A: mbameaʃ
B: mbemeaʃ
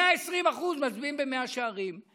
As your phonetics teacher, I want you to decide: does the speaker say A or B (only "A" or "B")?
B